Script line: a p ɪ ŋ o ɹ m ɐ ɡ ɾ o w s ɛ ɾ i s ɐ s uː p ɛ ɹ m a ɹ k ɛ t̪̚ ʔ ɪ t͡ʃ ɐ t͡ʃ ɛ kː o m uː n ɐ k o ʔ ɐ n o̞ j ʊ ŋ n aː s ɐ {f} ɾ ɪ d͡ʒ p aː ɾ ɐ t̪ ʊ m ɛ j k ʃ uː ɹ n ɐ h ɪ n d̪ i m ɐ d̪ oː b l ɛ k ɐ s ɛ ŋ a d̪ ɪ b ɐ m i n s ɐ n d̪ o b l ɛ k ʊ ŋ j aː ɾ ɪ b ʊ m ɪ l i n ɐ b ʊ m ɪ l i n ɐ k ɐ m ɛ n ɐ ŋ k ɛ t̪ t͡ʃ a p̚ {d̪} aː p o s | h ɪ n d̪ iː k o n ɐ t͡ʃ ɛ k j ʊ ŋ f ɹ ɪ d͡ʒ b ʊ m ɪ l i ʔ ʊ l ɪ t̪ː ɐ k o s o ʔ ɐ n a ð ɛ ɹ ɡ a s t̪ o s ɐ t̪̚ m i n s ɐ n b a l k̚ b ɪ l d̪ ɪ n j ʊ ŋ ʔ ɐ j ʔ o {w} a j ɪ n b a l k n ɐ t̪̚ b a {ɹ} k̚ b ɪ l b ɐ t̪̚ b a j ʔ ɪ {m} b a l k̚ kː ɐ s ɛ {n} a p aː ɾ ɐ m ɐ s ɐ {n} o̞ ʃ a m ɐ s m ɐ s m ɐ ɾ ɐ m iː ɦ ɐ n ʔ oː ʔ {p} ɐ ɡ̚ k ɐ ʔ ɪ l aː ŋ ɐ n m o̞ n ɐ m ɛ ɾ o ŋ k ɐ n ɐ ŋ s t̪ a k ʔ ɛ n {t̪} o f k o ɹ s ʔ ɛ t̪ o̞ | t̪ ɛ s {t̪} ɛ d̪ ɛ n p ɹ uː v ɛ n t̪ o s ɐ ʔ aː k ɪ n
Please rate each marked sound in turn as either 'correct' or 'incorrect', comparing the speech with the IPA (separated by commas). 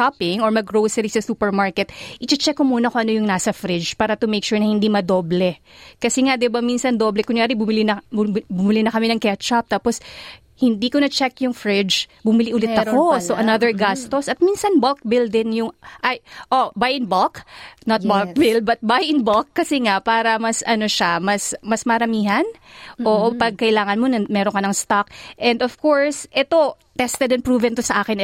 correct, incorrect, incorrect, incorrect, incorrect, incorrect, correct, correct, incorrect, correct